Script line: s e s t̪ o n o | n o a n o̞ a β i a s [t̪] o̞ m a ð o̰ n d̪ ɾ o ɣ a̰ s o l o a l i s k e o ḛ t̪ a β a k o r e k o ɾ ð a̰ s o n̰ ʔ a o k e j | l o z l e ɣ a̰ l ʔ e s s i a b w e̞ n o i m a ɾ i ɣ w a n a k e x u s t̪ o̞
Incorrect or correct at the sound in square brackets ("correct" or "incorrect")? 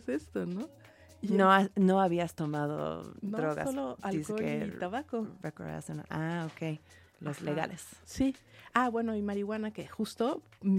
correct